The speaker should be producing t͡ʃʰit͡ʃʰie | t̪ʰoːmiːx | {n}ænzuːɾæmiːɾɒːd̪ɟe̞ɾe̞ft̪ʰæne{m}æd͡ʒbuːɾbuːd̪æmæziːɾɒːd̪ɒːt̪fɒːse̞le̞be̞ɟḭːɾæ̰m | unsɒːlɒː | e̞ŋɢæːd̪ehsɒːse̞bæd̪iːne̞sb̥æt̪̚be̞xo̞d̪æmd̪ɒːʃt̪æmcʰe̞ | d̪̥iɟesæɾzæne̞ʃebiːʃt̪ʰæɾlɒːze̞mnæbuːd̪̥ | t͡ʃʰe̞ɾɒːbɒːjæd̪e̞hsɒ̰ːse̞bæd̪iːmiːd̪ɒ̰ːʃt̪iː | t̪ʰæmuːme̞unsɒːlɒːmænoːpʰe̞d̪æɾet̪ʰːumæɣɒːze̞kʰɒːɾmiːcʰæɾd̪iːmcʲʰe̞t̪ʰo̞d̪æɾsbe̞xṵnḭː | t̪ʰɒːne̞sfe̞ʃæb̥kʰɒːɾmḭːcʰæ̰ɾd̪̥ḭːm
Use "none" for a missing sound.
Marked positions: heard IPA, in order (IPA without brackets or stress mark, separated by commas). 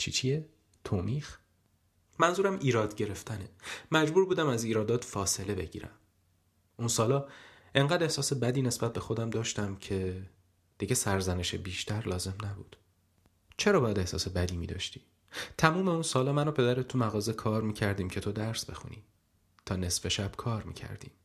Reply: m, m